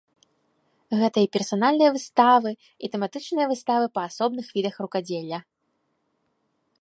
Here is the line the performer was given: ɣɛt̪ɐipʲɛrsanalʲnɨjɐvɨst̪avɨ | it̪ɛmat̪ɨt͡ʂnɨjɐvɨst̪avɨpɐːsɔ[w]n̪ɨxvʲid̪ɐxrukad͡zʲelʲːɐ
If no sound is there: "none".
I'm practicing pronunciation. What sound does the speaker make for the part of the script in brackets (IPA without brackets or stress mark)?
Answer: b